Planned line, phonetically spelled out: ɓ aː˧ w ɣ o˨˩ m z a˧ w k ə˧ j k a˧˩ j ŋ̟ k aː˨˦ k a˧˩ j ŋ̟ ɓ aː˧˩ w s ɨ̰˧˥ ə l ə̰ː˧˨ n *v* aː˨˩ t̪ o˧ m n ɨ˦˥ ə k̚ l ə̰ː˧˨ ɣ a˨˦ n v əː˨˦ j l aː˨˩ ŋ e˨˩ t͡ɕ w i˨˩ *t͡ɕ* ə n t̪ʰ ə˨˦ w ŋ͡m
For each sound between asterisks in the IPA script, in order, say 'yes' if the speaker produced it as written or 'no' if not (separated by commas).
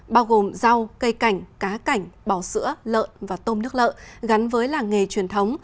yes, no